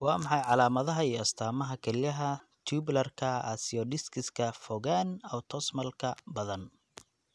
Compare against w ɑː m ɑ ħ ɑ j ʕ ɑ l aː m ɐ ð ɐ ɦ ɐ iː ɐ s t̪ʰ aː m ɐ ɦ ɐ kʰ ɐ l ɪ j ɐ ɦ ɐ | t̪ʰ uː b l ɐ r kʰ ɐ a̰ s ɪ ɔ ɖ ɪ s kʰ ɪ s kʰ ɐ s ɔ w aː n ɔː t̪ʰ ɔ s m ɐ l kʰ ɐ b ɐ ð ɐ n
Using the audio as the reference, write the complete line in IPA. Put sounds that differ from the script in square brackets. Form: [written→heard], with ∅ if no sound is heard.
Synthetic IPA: w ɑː m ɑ ħ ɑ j ʕ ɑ l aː m ɐ ð ɐ ɦ ɐ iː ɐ s t̪ʰ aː m ɐ ɦ ɐ kʰ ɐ l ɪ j ɐ ɦ ɐ | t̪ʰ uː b l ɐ r kʰ ɐ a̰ s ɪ ɔ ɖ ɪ s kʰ ɪ s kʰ ɐ [s→f] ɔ [w→ɣ] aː n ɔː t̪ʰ ɔ s m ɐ l kʰ ɐ b ɐ ð ɐ n